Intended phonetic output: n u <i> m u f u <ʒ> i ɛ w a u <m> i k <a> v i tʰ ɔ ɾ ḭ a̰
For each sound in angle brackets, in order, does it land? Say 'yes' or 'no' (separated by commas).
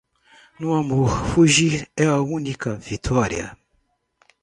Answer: no, yes, no, yes